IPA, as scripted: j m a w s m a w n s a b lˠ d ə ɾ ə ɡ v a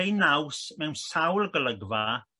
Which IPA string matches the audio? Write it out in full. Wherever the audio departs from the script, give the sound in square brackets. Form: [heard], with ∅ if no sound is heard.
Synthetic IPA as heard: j [n] a w s m [ɛ] w n s a [w] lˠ [ɡ] ə [l] ə ɡ v a